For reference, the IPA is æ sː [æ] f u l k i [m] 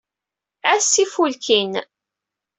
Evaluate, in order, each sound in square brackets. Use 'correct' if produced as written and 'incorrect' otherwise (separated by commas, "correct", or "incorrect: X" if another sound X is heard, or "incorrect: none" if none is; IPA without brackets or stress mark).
incorrect: i, incorrect: n